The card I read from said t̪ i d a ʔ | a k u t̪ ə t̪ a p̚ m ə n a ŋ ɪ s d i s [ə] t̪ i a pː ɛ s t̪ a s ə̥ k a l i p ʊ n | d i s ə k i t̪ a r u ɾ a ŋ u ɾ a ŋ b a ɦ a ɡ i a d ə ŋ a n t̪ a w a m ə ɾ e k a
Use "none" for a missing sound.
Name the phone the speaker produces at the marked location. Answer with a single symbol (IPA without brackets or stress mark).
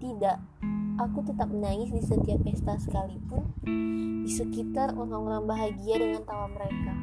ə